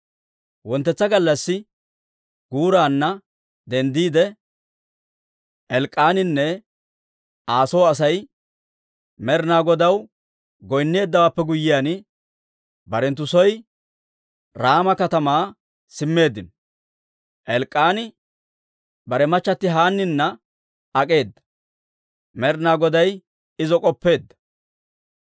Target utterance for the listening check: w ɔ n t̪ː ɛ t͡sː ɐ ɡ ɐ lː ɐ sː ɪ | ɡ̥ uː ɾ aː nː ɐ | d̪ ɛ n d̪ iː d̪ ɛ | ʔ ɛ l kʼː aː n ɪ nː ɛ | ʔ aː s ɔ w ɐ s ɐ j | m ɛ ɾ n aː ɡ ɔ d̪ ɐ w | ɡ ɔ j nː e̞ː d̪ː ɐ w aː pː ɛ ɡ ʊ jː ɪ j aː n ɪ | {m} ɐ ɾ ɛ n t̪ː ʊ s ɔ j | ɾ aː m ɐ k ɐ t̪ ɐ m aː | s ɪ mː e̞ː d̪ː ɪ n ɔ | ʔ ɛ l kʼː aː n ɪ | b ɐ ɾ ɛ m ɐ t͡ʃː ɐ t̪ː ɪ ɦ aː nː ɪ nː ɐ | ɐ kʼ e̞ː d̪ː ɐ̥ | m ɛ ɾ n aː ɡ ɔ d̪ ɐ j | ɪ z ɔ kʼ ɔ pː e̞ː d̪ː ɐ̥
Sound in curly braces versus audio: incorrect: b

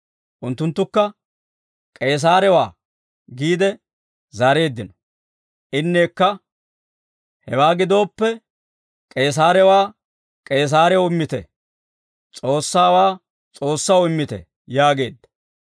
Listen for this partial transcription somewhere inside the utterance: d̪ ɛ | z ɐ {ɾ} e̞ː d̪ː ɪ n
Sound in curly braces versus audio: correct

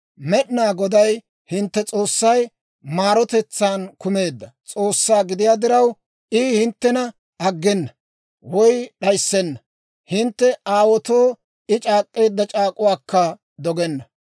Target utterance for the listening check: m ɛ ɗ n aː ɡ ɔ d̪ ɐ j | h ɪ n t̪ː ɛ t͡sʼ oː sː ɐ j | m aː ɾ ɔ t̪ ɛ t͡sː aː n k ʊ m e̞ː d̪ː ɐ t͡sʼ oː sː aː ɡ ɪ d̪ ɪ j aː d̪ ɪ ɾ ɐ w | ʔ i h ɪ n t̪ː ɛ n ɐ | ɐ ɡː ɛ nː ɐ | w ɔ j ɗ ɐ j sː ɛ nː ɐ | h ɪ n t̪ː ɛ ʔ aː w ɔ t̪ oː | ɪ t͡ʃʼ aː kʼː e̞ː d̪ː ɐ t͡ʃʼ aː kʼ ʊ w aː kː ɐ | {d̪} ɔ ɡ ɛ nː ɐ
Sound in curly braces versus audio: correct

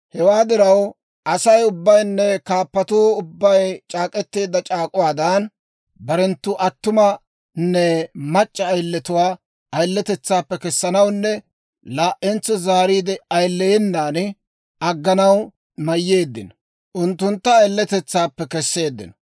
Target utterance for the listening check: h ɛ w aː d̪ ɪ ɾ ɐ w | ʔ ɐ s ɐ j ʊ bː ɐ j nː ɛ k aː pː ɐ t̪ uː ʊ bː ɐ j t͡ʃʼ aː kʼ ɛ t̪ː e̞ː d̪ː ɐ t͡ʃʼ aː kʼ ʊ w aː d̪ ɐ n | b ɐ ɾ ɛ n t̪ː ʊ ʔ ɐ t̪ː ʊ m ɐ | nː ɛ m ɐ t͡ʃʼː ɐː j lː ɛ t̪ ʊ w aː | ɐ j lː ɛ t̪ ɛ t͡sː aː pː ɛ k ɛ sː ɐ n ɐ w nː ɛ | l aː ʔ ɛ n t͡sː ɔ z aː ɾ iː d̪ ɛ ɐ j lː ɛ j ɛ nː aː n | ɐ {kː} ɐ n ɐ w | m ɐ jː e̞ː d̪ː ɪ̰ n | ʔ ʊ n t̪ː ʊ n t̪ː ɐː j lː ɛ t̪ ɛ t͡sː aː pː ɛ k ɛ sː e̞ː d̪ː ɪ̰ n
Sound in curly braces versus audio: incorrect: ɡː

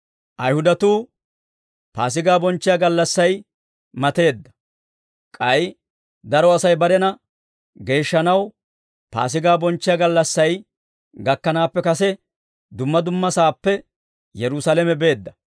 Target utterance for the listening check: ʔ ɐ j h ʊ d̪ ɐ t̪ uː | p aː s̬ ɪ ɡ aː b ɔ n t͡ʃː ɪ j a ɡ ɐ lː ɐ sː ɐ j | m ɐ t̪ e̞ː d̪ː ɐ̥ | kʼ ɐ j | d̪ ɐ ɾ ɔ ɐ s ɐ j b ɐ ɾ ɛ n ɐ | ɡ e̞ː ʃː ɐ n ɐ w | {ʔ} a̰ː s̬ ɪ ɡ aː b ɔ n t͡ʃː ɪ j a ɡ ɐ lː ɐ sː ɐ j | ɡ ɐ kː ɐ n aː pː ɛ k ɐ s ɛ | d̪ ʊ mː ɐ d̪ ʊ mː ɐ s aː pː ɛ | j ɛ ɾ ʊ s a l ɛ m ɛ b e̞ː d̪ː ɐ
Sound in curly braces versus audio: incorrect: p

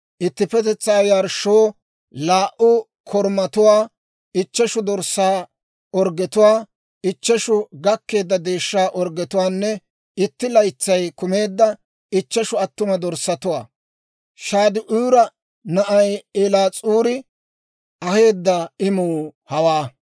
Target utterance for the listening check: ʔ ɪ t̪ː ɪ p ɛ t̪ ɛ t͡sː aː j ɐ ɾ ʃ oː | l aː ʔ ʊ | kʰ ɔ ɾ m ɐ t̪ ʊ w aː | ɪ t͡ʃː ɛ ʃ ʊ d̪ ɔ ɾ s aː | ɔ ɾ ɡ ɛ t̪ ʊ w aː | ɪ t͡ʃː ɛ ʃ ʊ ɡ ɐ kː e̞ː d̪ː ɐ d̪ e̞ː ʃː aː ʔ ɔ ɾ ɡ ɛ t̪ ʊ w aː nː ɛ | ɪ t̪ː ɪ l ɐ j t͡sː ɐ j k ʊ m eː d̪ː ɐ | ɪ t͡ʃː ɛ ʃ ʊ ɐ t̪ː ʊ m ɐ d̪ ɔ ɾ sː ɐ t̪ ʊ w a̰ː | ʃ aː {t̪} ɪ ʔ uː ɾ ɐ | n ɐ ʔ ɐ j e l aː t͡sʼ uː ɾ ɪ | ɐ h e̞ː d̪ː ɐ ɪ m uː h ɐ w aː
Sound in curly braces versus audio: incorrect: d̪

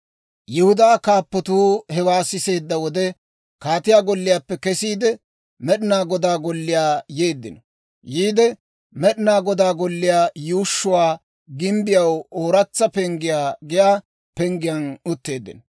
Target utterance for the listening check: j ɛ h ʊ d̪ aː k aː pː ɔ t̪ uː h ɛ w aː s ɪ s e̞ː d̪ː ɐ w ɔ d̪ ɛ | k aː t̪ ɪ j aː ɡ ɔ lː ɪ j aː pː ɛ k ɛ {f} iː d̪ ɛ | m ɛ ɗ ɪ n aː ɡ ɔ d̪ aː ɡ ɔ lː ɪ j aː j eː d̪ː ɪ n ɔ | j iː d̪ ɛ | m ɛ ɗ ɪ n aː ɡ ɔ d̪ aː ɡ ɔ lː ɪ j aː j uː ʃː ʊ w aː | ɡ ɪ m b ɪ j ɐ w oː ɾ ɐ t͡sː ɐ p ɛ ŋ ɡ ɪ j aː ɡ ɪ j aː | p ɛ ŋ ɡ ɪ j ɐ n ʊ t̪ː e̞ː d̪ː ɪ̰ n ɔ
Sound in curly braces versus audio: incorrect: s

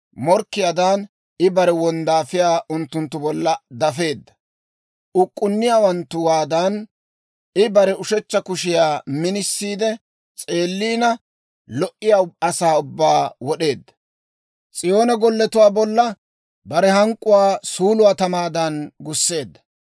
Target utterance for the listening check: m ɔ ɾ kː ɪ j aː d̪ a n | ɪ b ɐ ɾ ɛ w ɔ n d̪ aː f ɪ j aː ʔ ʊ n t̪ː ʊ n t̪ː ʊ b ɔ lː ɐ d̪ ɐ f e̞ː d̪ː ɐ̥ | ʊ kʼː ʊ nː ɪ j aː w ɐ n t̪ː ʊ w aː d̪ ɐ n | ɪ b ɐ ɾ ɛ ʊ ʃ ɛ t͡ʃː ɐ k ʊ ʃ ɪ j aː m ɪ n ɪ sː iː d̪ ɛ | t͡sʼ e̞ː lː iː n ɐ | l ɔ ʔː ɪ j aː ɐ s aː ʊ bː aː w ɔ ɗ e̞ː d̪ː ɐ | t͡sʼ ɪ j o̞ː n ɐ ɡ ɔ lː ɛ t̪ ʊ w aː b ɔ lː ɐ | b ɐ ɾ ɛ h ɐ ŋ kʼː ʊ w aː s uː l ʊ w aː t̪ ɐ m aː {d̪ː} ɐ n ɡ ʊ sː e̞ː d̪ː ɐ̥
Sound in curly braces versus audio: incorrect: d̪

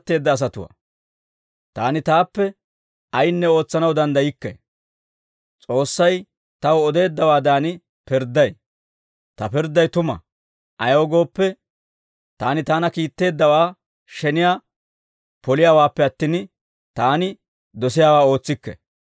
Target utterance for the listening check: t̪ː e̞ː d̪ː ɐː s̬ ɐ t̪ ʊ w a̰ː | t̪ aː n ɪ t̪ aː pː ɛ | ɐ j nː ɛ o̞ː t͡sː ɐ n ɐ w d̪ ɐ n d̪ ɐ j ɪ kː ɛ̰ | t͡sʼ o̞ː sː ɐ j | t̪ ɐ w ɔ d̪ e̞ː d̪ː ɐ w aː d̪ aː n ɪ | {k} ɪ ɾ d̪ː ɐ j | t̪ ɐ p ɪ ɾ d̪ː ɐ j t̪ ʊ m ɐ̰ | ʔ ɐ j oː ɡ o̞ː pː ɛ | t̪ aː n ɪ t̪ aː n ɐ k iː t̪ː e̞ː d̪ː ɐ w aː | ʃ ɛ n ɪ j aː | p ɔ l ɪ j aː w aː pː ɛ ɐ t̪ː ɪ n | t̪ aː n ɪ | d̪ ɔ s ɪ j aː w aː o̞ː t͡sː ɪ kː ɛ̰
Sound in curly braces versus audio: incorrect: p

